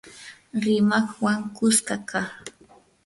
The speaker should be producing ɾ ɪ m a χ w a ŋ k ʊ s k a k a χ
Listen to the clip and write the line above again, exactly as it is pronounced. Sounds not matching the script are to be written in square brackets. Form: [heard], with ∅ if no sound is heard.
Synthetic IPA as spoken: ɾ ɪ m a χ w a ŋ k ʊ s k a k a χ